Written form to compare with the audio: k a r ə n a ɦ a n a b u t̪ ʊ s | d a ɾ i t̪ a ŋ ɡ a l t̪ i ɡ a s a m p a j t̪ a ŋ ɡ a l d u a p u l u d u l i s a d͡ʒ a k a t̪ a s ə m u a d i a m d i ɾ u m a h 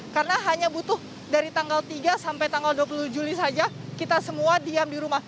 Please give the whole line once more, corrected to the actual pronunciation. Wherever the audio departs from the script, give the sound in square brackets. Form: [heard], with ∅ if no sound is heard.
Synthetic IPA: k a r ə n a ɦ a [ɲ] a b u t̪ ʊ [h] | d a ɾ i t̪ a ŋ ɡ a l t̪ i ɡ a s a m p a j t̪ a ŋ ɡ a l d u a p u l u [d͡ʒ] u l i s a d͡ʒ a k [i] t̪ a s ə m u a d i a m d i ɾ u m a h